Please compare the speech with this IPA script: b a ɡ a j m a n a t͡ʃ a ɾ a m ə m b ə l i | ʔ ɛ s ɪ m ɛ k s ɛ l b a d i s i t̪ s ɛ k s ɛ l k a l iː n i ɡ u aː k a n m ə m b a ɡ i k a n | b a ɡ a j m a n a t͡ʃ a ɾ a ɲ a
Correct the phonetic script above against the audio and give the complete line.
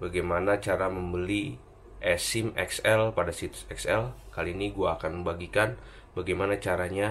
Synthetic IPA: b a ɡ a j m a n a t͡ʃ a ɾ a m ə m b ə l i | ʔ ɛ s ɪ m ɛ k s ɛ l p a d a s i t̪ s ɛ k s ɛ l k a l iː n i ɡ u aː k a n m ə m b a ɡ i k a n | b a ɡ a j m a n a t͡ʃ a ɾ a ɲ a